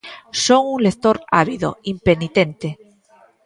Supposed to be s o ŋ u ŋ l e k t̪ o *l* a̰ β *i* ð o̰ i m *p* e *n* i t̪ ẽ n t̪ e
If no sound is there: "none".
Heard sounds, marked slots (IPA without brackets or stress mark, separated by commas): ɾ, i, p, n